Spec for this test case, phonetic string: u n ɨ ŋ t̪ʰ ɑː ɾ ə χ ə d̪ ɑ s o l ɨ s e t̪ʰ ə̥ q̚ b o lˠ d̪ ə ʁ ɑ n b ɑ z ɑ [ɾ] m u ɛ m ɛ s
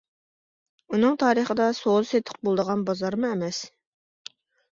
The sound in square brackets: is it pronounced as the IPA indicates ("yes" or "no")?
yes